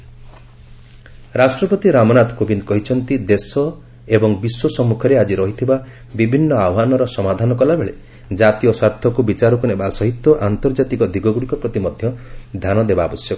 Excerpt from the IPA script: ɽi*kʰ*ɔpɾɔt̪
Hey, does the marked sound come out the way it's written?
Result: no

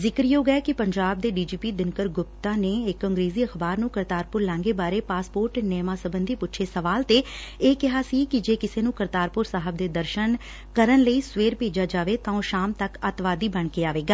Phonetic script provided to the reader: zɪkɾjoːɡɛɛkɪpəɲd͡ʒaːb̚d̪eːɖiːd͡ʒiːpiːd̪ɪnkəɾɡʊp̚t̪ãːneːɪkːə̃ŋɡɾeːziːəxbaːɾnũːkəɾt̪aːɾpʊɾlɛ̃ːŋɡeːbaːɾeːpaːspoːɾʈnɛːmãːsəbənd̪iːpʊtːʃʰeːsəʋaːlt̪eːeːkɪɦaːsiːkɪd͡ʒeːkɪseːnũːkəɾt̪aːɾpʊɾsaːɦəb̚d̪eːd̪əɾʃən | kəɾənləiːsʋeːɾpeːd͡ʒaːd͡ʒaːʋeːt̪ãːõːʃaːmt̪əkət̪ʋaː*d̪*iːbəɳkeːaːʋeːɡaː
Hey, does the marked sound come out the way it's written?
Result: yes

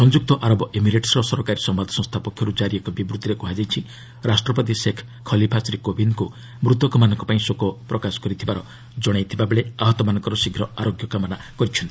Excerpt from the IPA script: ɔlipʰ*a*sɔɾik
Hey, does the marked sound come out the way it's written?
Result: yes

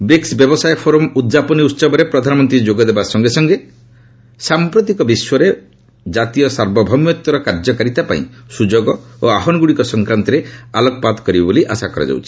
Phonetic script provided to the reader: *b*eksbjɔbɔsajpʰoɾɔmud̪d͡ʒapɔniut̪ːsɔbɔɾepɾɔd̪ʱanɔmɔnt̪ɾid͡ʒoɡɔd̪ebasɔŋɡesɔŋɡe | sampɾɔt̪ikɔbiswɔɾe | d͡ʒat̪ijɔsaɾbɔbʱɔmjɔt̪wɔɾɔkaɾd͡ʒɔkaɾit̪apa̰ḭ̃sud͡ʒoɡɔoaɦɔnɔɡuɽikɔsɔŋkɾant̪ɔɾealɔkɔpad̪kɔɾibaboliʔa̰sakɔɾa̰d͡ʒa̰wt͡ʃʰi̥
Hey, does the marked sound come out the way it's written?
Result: yes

